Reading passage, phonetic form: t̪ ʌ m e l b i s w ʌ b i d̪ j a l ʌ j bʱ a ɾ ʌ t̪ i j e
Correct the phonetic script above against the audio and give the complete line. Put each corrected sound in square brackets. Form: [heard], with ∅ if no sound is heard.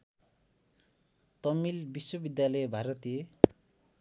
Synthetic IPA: t̪ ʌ m [i] l b i s w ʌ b i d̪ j a l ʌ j bʱ a ɾ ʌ t̪ i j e